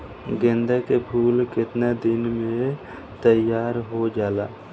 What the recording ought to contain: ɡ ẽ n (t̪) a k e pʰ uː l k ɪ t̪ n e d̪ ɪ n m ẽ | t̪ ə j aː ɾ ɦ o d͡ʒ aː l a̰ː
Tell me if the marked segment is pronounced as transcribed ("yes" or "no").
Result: no